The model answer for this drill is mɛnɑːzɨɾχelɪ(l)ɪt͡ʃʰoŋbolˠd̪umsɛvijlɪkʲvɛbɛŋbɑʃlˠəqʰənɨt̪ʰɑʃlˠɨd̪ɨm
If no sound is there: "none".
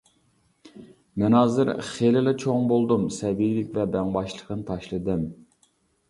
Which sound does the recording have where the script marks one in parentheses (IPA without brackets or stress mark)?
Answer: l